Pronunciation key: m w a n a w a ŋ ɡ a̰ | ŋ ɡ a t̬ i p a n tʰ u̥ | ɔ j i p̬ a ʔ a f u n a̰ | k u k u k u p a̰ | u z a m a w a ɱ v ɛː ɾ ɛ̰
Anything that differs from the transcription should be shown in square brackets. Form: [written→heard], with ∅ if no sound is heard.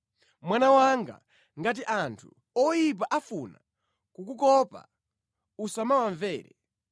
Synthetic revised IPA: m w a n a w a ŋ ɡ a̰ | ŋ ɡ a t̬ i [p→ʔ] a n tʰ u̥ | ɔ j i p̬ a ʔ a f u n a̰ | k u k u k [u→ɔ] p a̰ | u [z→s] a m a w a ɱ v ɛː ɾ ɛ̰